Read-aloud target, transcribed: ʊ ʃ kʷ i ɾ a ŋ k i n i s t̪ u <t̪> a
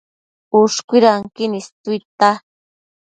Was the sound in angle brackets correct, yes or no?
yes